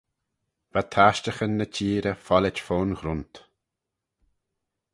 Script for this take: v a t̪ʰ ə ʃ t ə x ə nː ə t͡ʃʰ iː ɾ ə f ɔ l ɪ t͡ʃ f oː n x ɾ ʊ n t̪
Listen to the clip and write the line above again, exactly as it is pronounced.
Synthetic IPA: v a t̪ʰ a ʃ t ə x ə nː ə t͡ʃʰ iː ɾ ə f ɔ l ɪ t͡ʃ f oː n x ɾ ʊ n t̪

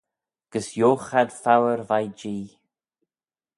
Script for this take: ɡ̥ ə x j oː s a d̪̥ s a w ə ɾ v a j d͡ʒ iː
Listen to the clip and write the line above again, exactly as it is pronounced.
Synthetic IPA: ɡ̥ ə s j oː x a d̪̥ f a w ə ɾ v a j d͡ʒ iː

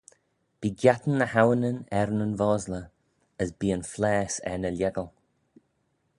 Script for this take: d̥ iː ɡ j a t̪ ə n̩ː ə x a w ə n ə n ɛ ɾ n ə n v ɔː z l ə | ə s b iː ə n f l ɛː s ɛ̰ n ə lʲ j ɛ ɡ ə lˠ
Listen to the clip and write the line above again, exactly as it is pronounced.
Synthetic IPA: b̥ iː ɡ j a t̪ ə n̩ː ə h a w ə n ə n ɛ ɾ n ə n v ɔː z l ə | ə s b iː ə n f l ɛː s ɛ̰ n ə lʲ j ɛ ɡ ə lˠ

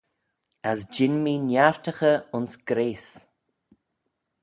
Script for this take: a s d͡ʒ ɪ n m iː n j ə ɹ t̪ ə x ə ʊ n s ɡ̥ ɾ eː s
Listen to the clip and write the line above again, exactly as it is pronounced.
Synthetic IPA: a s d͡ʒ ɪ n m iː n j a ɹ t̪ ə x ə ʊ n s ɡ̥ ɾ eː s

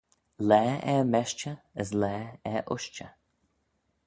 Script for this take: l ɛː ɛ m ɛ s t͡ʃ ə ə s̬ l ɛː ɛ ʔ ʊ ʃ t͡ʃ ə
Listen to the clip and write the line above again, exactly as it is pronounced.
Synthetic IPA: l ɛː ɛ m ɛ ʃ t͡ʃ ə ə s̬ l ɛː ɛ ʔ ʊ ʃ t͡ʃ ə

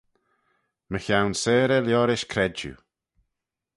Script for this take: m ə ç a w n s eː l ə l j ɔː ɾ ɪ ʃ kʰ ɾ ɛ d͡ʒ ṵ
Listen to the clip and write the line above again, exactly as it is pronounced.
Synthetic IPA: m ə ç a w n s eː ɾ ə l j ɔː ɾ ɪ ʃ kʰ ɾ ɛ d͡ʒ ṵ

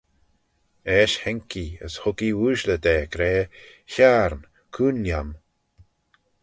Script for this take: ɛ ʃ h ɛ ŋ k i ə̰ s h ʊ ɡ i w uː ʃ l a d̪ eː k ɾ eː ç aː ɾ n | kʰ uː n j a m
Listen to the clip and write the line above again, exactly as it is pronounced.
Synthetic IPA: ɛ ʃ h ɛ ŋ k i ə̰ s h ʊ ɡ i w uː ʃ l ə d̪ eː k ɾ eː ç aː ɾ n | kʰ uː n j a m

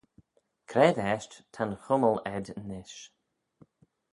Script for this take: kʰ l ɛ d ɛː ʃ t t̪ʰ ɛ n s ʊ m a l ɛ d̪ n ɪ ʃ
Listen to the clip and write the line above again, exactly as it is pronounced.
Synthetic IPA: kʰ ɾ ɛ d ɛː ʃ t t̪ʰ a n x ʊ m ə l ɛ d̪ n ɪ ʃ

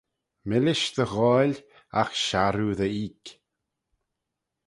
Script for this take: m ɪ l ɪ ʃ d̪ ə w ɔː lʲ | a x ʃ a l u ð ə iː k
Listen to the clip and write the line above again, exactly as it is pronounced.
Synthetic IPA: m ɪ l ɪ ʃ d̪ ə ɣ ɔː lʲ | a x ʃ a ɾ u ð ə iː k

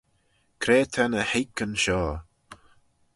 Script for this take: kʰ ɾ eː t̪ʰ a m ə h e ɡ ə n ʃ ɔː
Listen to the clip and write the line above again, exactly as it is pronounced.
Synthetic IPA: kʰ ɾ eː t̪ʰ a n ə h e k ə n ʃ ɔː

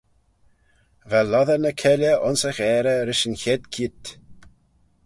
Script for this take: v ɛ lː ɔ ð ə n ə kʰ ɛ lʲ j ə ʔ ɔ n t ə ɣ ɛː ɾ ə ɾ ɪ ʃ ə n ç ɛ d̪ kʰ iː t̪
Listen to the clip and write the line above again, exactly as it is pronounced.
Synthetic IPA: v ɛ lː ɔ ð ə n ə kʰ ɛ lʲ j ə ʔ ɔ n s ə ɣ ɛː ɾ ə ɾ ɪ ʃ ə n ç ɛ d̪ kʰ iː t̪

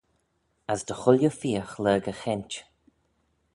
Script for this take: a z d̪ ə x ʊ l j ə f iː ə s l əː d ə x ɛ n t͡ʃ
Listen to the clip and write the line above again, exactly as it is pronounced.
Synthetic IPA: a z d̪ ə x ʊ l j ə f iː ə x l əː ɡ ə x ɛ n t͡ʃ

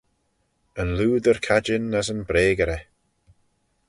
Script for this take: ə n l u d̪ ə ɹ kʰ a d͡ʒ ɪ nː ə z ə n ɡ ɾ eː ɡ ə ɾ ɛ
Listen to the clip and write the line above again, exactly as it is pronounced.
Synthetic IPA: ə n l uː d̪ ə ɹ kʰ a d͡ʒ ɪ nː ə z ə n b ɾ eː ɡ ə ɾ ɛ

